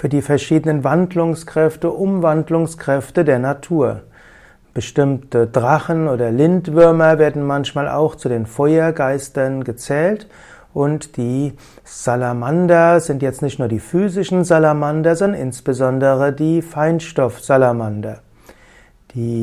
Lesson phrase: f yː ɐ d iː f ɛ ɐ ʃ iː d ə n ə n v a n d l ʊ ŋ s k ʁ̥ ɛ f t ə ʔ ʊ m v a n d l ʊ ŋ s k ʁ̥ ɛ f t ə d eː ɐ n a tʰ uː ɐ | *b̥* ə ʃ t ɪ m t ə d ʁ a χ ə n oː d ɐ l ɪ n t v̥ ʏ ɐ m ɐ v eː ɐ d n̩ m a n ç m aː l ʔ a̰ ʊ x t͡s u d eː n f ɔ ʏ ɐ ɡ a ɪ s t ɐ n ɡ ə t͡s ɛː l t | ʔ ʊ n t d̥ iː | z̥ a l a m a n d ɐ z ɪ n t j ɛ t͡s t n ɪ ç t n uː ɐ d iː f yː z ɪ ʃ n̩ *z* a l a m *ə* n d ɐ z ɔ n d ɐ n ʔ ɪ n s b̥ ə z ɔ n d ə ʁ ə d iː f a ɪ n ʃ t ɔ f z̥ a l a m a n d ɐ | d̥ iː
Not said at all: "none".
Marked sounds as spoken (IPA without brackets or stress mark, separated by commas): b̥, z, a